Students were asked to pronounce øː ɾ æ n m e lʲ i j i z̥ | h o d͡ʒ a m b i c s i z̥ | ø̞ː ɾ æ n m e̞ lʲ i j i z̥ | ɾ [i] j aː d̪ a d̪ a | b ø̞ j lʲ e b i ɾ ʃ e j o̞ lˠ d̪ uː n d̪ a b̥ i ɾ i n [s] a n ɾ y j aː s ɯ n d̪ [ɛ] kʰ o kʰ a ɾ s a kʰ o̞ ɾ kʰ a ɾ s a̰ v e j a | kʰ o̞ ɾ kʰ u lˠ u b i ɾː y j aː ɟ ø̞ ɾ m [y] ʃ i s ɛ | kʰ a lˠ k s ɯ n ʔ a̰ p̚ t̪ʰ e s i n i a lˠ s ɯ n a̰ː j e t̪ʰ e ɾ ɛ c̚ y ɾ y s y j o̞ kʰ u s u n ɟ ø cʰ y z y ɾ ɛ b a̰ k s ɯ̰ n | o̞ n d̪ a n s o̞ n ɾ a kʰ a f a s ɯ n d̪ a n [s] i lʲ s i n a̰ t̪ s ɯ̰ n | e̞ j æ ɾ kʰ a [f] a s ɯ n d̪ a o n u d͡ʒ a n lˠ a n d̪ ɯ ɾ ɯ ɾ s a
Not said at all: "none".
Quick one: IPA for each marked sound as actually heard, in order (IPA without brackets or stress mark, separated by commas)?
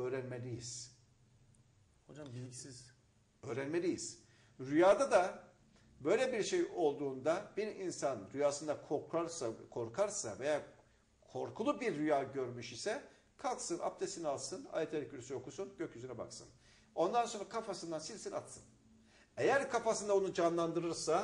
y, s, a, y, s, f